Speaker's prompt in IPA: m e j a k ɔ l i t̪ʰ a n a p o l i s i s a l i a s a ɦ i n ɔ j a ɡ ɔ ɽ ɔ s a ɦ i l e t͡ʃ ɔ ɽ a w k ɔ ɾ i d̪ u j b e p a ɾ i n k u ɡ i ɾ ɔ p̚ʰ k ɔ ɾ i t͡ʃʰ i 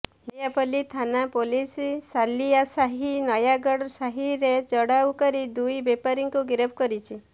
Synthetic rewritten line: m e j a p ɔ l i t̪ʰ a n a p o l i s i s a l i a s a ɦ i n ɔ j a ɡ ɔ ɽ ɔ s a ɦ i ɾ e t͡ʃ ɔ ɽ a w k ɔ ɾ i d̪ u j b e p a ɾ i ŋ k u ɡ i ɾ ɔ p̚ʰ k ɔ ɾ i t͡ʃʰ i